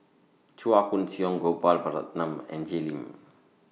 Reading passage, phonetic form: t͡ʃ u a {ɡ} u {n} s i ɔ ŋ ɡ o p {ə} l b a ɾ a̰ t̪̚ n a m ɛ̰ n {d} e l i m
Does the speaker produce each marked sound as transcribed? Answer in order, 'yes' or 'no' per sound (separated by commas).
no, yes, no, no